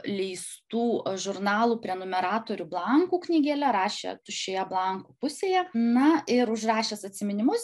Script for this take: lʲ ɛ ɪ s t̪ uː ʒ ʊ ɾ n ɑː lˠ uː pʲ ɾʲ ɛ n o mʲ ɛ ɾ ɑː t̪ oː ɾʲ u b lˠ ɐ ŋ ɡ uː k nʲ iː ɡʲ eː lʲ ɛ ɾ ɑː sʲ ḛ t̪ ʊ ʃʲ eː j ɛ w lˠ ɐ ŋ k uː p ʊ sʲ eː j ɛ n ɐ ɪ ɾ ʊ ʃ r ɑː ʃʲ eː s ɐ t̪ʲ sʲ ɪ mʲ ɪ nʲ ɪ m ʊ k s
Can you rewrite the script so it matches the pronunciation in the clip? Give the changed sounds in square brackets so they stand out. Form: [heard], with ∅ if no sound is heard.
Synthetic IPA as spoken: lʲ ɛ ɪ s t̪ uː ʒ ʊ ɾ n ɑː lˠ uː pʲ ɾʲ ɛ n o mʲ ɛ ɾ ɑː t̪ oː ɾʲ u b lˠ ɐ ŋ [k] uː k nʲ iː ɡʲ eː lʲ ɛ ɾ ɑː [ʃʲ] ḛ t̪ ʊ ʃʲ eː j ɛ [b] lˠ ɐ ŋ k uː p ʊ sʲ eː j ɛ n ɐ ɪ ɾ ʊ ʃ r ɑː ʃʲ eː s ɐ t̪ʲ sʲ ɪ mʲ ɪ nʲ ɪ m ʊ [∅] s